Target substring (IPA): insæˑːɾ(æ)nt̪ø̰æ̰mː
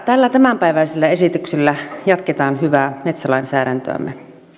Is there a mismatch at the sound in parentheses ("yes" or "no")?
no